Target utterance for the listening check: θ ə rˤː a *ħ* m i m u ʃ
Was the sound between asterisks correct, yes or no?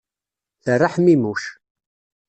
yes